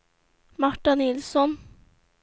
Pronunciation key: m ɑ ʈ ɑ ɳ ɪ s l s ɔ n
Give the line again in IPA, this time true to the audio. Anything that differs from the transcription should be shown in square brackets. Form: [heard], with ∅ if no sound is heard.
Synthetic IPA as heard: m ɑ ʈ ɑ [n] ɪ [∅] l s ɔ n

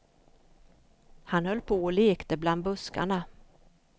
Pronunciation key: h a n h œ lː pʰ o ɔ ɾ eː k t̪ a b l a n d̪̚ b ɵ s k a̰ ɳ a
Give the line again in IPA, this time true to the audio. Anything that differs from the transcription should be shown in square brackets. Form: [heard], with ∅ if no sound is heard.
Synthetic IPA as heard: h a n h œ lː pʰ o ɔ [l] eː k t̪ [ə] b l a n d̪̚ b ɵ s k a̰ ɳ a

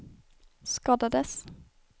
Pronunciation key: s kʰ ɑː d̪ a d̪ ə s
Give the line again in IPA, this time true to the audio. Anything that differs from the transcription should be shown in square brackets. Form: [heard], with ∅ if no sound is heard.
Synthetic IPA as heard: s [k] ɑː d̪ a d̪ ə s

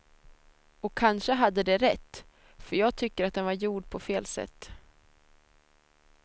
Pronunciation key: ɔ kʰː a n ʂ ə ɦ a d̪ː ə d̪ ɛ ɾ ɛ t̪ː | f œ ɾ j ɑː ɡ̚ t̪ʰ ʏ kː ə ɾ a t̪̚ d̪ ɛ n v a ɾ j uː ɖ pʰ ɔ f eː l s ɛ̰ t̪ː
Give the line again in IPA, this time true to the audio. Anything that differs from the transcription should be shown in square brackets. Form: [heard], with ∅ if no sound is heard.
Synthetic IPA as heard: ɔ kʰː a n ʂ ə ɦ a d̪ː ə d̪ ɛ ɾ ɛ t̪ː | f œ ɾ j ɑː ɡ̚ t̪ʰ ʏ kː ə ɾ a t̪̚ d̪ ɛ n v a ɾ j uː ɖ pʰ ɔ f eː l s ɛ̰ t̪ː

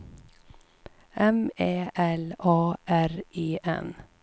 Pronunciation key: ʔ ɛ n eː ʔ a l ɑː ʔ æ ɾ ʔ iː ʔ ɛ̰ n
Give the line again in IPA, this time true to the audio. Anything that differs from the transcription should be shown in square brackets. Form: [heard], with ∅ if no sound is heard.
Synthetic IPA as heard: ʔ ɛ [m] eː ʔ [ɛ] l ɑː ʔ æ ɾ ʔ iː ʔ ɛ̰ n

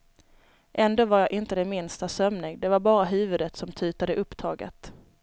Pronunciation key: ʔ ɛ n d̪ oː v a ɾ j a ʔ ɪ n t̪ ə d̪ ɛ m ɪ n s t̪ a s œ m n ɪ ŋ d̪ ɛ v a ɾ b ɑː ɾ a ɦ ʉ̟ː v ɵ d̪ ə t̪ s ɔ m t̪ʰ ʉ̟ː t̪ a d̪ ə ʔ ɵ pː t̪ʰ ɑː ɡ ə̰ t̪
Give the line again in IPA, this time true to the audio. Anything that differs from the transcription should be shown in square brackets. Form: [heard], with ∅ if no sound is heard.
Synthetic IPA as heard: ʔ ɛ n d̪ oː v a ɾ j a ʔ ɪ n t̪ ə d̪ ɛ m ɪ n s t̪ a s œ m n ɪ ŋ d̪ ɛ v a ɾ b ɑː ɾ a ɦ ʉ̟ː v ɵ d̪ ə t̪ s ɔ m t̪ʰ ʉ̟ː t̪ a d̪ ə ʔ ɵ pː t̪ʰ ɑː ɡ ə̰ t̪

